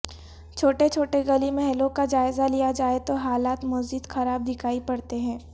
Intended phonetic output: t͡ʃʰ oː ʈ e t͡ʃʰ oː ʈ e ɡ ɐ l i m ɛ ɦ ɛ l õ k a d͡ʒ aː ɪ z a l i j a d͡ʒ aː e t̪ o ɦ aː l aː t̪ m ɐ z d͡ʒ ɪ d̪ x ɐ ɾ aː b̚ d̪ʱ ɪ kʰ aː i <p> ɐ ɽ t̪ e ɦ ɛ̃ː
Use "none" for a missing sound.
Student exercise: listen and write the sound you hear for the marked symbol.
p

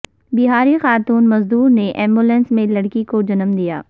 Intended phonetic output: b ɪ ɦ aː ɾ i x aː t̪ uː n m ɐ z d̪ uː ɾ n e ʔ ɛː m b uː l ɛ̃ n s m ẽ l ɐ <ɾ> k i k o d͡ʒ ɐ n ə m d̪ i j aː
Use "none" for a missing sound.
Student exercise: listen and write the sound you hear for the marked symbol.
ɽ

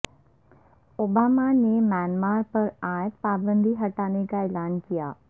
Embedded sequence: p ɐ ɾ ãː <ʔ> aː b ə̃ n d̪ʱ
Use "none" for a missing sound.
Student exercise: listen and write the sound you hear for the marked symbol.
p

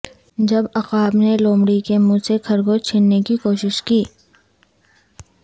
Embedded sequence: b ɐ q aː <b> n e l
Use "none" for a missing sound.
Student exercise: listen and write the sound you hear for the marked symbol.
b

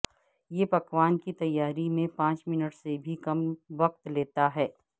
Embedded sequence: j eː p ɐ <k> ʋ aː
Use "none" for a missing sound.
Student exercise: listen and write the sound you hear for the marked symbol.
k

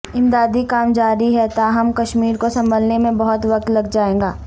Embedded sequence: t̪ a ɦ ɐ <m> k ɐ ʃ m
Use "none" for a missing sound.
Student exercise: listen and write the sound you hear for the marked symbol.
m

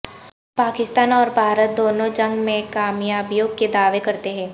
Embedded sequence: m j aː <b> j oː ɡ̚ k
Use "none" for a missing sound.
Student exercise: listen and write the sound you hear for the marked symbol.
b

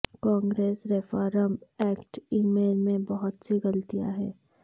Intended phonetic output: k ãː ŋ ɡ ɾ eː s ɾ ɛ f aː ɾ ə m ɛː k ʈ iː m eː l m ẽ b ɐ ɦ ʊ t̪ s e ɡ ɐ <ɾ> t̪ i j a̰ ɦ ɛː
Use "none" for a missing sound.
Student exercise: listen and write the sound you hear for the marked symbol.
l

